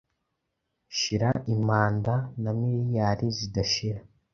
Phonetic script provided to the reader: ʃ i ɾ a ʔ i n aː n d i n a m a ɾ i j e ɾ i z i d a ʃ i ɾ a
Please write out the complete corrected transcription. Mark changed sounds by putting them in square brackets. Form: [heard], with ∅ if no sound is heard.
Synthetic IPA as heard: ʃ i ɾ a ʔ i [m] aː n d [a] n a m [i] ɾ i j [a] ɾ i z i d a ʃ i ɾ a